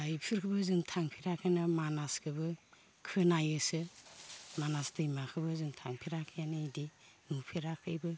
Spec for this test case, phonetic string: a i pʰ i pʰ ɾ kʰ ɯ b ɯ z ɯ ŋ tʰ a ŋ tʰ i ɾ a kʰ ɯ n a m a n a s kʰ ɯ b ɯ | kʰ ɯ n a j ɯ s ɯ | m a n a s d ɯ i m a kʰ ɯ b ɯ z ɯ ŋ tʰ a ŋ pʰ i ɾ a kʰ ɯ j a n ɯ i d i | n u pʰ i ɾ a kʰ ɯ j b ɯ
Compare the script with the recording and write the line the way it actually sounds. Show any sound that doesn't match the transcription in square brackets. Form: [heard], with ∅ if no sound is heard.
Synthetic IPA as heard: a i pʰ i [∅] ɾ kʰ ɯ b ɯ z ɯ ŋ tʰ a ŋ [pʰ] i ɾ a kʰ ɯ n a m a n a s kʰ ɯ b ɯ | kʰ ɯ n a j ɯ s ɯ | m a n a s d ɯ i m a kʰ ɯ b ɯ z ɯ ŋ tʰ a ŋ pʰ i ɾ a kʰ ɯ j a n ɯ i d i | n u pʰ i ɾ a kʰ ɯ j b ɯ